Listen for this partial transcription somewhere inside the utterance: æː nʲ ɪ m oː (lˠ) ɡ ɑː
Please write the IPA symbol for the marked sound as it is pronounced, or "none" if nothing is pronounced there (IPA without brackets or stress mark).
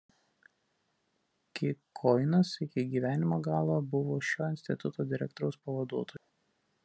none